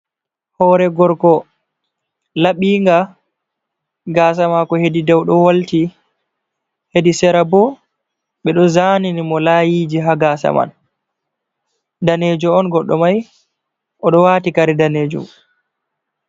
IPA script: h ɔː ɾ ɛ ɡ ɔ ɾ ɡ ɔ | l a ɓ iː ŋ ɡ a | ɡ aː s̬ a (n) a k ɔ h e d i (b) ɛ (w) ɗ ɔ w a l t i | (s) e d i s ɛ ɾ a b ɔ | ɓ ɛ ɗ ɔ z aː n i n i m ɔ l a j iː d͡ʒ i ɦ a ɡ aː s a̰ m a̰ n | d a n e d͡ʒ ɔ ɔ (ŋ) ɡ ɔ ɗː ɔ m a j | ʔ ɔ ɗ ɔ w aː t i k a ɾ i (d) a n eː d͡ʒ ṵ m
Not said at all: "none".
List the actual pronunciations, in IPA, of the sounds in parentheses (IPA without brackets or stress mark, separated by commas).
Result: m, d, w, h, n, d